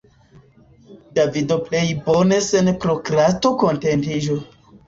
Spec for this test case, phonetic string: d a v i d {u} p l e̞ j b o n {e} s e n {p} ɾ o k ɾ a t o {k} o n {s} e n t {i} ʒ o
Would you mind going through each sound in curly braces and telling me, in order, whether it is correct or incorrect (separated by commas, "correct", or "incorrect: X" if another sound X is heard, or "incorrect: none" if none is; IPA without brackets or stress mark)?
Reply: incorrect: o, correct, correct, correct, incorrect: t, correct